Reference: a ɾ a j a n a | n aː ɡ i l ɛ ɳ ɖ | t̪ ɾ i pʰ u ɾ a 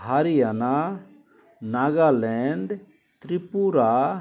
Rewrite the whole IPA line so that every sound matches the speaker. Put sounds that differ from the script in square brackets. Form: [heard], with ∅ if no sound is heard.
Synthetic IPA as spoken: a ɾ [i] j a n a | n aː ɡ [a] l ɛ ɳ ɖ | t̪ ɾ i [p] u ɾ a

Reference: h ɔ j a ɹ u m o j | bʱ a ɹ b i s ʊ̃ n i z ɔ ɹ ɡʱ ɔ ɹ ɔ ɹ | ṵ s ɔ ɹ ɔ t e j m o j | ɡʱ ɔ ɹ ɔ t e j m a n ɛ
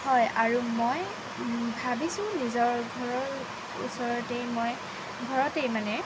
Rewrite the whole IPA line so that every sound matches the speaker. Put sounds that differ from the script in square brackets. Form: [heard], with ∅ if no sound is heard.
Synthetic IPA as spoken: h ɔ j a ɹ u m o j | bʱ a [∅] b i s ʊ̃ n i z ɔ ɹ ɡʱ ɔ ɹ ɔ ɹ | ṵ s ɔ ɹ ɔ t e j m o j | ɡʱ ɔ ɹ ɔ t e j m a n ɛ

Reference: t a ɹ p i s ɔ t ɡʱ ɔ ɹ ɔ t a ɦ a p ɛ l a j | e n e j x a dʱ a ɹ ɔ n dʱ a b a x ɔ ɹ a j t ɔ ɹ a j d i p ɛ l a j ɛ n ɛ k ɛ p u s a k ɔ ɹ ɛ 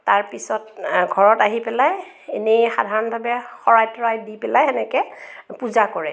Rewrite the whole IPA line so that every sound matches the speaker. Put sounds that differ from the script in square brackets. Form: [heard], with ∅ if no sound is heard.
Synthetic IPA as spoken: t a ɹ p i s ɔ t ɡʱ ɔ ɹ ɔ t a ɦ [i] p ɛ l a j | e n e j x a dʱ a ɹ ɔ n [bʱ] a b [ɛ] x ɔ ɹ a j t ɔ ɹ a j d i p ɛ l a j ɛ n ɛ k ɛ p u [z] a k ɔ ɹ ɛ

